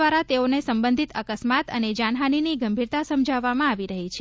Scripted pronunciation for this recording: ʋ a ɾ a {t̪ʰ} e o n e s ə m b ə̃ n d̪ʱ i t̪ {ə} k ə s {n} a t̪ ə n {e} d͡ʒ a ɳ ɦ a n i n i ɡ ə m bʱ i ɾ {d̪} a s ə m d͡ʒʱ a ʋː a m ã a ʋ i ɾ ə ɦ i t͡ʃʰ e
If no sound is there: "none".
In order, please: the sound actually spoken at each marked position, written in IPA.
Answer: t̪, ə, m, e, t̪

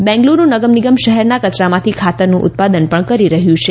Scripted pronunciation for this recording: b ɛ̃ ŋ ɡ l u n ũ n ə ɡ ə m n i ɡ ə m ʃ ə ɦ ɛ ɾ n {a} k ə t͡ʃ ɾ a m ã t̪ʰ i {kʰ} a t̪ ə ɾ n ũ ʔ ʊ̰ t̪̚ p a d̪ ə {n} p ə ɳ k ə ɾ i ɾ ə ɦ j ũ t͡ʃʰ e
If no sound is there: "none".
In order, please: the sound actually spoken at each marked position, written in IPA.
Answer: a, kʰ, n

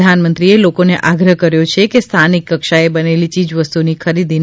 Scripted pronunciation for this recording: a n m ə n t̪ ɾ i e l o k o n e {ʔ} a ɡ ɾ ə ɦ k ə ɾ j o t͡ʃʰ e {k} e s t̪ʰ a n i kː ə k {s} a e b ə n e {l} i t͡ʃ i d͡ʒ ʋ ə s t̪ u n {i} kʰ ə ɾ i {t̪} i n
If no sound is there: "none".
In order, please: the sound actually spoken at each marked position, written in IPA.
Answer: ʔ, k, ʃ, l, i, d̪

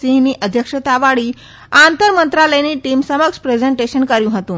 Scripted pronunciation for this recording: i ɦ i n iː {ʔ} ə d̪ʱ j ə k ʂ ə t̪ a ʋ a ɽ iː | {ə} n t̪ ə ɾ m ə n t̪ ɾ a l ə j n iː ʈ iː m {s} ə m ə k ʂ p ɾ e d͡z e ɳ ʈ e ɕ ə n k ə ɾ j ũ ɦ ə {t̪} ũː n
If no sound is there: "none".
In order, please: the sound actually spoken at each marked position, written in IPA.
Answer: ʔ, a, s, t̪

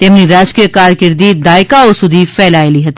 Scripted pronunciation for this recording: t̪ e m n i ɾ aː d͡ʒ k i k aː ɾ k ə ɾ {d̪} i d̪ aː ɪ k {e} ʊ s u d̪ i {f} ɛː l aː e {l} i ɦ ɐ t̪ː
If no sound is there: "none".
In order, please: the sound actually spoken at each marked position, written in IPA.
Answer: d̪, a, f, l

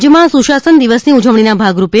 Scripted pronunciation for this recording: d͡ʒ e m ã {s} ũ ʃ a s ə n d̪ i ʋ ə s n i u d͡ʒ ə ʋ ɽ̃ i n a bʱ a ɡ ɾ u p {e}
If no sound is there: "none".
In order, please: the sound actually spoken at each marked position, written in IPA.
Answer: s, e

